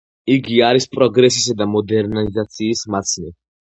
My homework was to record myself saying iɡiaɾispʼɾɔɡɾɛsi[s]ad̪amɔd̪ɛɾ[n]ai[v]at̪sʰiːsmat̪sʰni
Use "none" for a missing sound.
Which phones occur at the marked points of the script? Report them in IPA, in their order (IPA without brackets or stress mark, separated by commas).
s, n, z